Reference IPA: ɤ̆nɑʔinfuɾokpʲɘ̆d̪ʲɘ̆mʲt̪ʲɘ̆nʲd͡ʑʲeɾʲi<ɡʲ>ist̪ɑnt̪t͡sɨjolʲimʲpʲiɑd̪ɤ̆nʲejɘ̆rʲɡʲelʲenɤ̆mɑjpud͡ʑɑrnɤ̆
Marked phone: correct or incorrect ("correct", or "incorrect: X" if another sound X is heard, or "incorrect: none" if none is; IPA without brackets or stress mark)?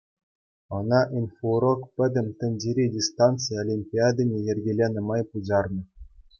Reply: incorrect: dʲ